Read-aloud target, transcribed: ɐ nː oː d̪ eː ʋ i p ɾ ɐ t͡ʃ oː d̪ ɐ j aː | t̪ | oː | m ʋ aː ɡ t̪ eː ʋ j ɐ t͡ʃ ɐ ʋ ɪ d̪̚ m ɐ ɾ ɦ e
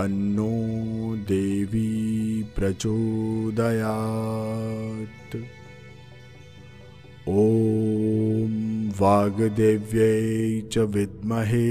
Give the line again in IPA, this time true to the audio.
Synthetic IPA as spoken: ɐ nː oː d̪ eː ʋ i p ɾ ɐ t͡ʃ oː d̪ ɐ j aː | t̪ | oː | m ʋ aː ɡ d̪ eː ʋ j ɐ t͡ʃ ɐ ʋ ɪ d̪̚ m ɐ ɦ e